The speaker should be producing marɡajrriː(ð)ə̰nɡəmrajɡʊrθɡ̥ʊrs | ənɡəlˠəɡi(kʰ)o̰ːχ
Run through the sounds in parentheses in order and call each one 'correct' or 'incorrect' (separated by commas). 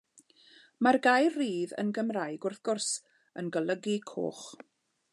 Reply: correct, correct